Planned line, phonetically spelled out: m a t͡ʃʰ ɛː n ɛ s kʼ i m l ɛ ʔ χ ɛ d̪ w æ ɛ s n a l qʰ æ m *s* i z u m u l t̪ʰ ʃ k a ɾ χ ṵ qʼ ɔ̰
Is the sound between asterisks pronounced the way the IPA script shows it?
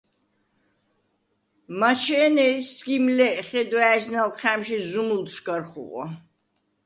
no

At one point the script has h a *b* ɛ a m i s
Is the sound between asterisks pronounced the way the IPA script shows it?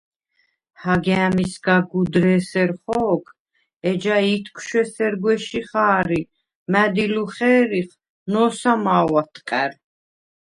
no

